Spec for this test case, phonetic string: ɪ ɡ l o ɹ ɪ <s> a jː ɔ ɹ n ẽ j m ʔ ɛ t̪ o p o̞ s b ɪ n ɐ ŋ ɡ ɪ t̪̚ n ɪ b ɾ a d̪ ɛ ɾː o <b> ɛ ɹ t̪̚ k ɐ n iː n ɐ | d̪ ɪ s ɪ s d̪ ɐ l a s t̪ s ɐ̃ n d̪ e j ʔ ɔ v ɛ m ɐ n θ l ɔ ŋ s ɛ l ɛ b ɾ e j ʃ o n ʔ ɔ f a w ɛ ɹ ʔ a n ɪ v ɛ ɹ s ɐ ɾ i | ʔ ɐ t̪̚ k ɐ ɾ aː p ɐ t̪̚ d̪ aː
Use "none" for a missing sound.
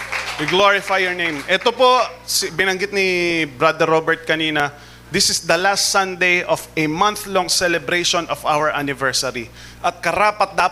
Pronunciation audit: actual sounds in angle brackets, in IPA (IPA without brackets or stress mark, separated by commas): f, b